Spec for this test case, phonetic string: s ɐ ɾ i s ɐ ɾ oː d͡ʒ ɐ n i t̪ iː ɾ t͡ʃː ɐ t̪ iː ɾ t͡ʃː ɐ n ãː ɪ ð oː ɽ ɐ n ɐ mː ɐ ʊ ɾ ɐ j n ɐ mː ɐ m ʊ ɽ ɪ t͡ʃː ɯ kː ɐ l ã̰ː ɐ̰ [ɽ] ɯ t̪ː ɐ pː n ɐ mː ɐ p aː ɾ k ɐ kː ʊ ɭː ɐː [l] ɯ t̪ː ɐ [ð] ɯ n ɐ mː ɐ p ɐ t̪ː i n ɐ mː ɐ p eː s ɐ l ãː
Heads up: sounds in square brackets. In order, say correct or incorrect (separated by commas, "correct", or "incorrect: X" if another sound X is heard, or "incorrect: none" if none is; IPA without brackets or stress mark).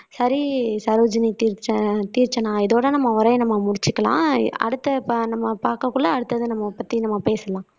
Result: correct, incorrect: ɽ, correct